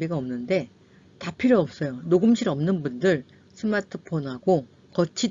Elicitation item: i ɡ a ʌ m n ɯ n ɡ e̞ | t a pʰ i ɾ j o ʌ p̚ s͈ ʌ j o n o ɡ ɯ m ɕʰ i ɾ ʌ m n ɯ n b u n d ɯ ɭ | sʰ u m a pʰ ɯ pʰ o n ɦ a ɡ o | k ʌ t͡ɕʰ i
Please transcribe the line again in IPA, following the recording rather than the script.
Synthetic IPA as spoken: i ɡ a ʌ m n ɯ n d e̞ | t a pʰ i ɾ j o ʌ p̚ s͈ ʌ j o n o ɡ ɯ m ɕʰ i ɾ ʌ m n ɯ n b u n d ɯ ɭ | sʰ ɯ m a tʰ ɯ pʰ o n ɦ a ɡ o | k ʌ t͡ɕʰ i